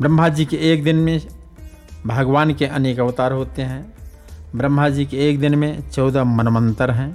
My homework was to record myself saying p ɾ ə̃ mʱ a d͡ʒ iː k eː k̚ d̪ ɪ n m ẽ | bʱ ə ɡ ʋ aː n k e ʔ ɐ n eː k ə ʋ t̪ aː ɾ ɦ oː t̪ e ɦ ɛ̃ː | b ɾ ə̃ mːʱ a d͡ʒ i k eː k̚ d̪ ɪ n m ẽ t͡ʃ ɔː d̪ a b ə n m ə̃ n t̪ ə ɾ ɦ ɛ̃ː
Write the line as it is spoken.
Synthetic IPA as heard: b ɾ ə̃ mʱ a d͡ʒ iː k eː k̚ d̪ ɪ n m ẽ | bʱ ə ɡ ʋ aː n k e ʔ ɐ n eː k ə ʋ t̪ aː ɾ ɦ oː t̪ e ɦ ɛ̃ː | b ɾ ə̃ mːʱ a d͡ʒ i k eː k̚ d̪ ɪ n m ẽ t͡ʃ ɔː d̪ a m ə n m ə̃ n t̪ ə ɾ ɦ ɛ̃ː